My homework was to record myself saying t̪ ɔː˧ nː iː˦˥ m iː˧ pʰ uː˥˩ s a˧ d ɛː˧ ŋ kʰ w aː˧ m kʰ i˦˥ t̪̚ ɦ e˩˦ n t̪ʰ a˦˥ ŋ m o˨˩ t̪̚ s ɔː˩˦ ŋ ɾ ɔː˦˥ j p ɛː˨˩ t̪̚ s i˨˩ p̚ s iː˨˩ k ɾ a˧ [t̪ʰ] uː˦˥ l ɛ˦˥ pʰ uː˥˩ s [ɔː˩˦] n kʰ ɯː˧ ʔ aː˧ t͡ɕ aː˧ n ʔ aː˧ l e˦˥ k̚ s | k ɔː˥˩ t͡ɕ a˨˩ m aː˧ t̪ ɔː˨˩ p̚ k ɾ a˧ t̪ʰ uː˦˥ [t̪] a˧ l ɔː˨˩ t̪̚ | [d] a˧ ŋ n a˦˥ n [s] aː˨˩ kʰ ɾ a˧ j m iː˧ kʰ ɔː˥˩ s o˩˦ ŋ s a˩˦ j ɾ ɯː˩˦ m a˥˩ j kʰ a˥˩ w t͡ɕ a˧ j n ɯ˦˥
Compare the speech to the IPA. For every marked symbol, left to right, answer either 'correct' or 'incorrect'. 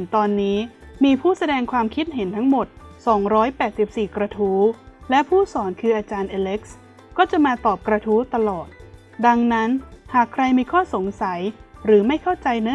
correct, correct, correct, correct, incorrect

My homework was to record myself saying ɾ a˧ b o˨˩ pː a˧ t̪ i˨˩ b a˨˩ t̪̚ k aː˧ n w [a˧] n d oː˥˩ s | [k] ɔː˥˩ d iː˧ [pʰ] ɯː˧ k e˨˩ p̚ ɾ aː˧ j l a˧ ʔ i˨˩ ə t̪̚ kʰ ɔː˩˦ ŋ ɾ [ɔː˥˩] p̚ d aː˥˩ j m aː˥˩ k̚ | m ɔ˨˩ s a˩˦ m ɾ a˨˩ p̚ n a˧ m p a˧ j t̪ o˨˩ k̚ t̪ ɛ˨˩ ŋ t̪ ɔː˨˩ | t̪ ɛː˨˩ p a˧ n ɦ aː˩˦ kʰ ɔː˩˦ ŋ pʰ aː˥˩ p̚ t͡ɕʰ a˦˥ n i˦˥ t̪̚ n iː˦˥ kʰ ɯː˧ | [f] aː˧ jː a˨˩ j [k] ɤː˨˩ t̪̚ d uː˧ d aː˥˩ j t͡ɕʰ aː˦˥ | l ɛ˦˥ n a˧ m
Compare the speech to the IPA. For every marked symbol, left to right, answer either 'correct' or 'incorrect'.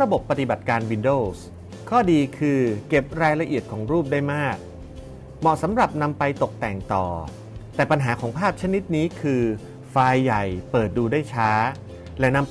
incorrect, incorrect, incorrect, incorrect, correct, incorrect

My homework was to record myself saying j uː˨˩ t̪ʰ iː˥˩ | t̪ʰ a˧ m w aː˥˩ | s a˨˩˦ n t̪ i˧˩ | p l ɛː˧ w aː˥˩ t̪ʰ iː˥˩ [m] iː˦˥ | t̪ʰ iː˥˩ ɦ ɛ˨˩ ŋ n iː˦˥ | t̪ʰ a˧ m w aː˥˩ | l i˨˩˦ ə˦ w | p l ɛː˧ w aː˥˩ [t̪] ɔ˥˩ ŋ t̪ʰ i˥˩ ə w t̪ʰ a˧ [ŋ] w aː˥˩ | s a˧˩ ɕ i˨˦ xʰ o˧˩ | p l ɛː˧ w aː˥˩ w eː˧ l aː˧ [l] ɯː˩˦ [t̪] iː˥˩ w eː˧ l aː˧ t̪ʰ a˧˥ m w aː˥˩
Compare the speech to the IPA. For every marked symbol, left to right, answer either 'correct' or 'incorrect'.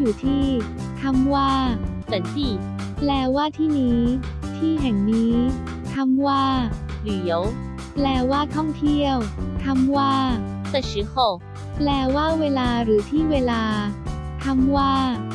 incorrect, incorrect, incorrect, incorrect, incorrect

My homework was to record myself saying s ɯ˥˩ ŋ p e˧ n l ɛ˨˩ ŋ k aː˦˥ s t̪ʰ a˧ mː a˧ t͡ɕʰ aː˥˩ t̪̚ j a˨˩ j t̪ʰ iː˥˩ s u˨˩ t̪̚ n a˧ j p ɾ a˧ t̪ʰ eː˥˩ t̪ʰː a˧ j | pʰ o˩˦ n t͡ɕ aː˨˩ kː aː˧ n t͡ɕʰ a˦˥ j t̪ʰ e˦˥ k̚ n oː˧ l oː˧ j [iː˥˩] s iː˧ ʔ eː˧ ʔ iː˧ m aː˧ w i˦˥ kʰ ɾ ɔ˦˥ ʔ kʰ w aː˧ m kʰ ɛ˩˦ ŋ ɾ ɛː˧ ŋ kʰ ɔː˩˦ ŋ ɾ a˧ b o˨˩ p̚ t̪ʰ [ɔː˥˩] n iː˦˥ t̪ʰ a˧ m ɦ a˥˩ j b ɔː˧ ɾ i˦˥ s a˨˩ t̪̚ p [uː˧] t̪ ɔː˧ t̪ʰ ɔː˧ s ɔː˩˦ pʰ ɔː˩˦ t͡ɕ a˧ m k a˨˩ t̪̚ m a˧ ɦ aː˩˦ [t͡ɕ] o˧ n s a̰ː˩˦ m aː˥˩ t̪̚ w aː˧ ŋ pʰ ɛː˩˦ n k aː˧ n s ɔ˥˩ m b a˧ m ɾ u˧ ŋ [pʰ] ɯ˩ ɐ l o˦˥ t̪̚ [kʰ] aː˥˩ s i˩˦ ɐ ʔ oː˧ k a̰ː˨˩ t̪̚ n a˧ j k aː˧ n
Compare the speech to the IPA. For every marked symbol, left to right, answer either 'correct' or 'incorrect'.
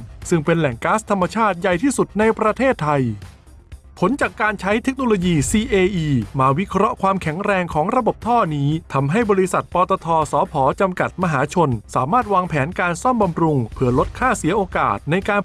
incorrect, correct, incorrect, incorrect, correct, correct

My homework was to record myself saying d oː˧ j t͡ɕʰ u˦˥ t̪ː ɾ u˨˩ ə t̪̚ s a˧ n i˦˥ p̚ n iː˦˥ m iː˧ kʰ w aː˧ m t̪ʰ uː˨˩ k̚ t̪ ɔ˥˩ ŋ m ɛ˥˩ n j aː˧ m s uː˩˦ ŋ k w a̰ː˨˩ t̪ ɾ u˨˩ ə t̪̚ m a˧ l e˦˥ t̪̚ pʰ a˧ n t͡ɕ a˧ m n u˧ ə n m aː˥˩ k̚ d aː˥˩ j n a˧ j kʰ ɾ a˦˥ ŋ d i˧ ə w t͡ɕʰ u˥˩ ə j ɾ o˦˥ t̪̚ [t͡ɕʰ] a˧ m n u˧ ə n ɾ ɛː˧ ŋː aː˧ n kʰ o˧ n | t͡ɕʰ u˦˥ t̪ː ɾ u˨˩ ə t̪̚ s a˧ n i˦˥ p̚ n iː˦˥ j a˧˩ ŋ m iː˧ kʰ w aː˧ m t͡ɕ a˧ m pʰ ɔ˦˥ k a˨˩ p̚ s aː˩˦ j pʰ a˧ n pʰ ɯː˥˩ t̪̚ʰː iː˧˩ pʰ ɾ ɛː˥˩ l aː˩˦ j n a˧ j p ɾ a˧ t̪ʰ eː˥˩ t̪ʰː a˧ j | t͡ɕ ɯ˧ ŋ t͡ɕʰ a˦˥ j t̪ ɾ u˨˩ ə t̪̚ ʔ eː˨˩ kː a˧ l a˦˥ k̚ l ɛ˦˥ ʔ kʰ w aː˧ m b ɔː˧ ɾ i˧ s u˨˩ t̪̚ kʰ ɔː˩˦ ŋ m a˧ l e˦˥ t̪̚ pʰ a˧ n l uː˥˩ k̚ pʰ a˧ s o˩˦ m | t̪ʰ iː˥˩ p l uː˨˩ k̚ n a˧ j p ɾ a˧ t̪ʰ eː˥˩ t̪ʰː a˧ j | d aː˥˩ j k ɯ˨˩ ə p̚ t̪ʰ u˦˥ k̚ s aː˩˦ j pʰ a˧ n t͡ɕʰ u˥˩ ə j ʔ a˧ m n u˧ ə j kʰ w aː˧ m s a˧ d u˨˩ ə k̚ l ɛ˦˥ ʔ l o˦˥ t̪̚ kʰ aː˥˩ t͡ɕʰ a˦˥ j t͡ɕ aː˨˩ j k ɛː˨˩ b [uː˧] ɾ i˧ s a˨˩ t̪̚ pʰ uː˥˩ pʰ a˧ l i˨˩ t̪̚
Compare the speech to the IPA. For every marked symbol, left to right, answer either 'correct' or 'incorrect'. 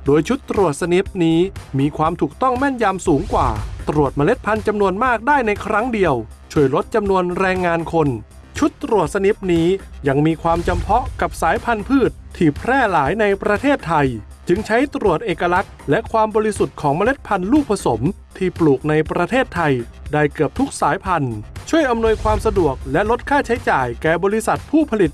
incorrect, incorrect

